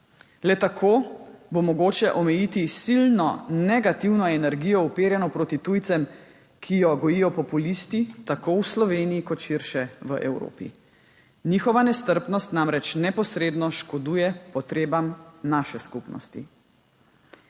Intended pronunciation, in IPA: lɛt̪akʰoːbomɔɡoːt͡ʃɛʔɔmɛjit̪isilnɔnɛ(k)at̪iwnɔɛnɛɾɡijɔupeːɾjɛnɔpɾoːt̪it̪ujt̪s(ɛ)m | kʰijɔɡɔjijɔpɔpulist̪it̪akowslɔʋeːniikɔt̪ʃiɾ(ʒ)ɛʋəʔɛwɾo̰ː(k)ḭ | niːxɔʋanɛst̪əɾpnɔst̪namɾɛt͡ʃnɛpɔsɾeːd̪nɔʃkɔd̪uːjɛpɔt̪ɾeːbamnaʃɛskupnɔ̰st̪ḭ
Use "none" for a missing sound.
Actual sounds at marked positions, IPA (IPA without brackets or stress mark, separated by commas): ɡ, ɛ, ʃ, p